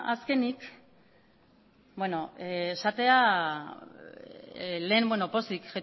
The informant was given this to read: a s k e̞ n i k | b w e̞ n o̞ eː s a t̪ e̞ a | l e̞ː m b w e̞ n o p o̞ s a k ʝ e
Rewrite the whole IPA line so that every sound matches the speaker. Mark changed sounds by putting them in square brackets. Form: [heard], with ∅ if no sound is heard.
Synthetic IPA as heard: a s k e̞ n i k | b w e̞ n o̞ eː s a t̪ e̞ a | l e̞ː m b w e̞ n o p o̞ s [i] k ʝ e